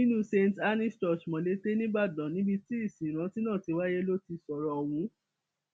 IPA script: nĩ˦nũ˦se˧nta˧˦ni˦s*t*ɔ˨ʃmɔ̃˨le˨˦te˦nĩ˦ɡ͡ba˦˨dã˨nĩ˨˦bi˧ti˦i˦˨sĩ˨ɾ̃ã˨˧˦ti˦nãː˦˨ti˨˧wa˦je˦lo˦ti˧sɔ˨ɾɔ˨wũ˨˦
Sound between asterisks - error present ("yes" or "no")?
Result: no